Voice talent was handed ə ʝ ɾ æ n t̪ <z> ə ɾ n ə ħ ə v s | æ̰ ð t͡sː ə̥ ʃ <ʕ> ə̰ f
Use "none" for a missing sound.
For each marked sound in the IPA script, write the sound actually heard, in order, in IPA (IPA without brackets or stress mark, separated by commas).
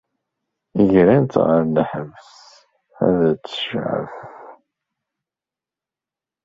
ʁ, ʕ